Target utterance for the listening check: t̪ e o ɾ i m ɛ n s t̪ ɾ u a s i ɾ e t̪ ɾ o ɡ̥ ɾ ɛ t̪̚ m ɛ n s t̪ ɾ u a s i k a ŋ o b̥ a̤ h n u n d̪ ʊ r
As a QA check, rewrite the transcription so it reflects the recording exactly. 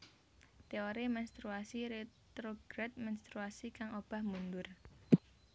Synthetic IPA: t̪ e o ɾ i m ɛ n s t̪ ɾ u a s i ɾ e t̪ ɾ o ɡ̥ ɾ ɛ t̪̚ m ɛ n s t̪ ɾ u a s i k a ŋ o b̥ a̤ h m u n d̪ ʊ r